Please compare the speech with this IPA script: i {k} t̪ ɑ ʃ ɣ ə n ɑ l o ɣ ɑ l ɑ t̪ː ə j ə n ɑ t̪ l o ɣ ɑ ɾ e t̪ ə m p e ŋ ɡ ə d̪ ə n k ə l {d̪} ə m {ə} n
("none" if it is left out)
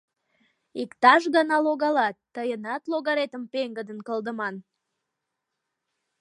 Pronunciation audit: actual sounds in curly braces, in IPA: k, d̪, ɑ

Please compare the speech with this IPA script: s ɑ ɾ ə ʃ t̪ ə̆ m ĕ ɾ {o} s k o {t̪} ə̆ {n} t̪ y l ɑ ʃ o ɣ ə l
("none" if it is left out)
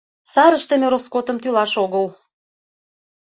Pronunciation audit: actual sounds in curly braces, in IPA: o, t̪, m

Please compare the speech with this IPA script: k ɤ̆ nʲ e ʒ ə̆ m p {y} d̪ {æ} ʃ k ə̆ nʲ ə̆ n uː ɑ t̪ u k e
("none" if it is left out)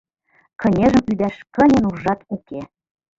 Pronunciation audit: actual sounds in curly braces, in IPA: y, æ

